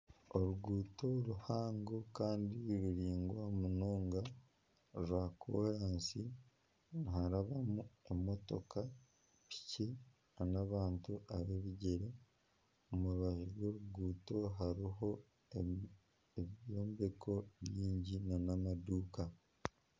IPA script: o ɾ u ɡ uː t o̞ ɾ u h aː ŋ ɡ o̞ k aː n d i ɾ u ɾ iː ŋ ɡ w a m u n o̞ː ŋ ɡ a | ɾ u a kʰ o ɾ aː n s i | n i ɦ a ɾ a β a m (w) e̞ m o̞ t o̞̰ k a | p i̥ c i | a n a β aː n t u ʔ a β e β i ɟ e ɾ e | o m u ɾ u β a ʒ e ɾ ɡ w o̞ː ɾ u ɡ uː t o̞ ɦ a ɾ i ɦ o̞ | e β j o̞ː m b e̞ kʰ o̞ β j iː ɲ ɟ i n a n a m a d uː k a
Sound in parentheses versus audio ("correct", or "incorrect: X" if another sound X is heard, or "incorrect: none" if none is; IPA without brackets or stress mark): incorrect: u